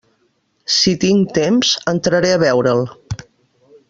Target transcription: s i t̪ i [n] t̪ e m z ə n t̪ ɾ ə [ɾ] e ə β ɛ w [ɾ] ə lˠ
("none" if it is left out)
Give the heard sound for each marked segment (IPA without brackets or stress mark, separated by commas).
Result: ŋ, ɾ, ɾ